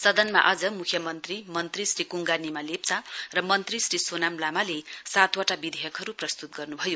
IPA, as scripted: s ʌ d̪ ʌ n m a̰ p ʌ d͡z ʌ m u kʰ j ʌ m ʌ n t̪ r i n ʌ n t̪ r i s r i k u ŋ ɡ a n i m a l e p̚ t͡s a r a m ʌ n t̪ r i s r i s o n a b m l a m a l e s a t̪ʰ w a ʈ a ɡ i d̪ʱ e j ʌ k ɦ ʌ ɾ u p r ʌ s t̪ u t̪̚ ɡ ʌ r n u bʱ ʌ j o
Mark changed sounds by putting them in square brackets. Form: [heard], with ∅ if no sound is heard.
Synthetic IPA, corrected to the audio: s ʌ d̪ ʌ n m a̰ [ʔ] ʌ d͡z ʌ m u kʰ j ʌ m ʌ n t̪ r i [m] ʌ n t̪ r i s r i k u ŋ ɡ a n i m a l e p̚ t͡s a r [ʌ] m ʌ n t̪ r i s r i s o n a [∅] m l a m a l e s a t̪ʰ w a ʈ a [b] i d̪ʱ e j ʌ k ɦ ʌ ɾ u p r ʌ s t̪ u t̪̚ ɡ ʌ r n u bʱ ʌ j o